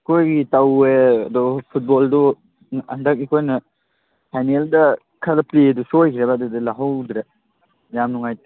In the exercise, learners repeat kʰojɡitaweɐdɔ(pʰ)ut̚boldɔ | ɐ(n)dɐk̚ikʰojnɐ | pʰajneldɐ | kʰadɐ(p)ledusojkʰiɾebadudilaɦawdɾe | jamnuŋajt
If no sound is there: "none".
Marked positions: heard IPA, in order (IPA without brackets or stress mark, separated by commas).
pʰ, n, p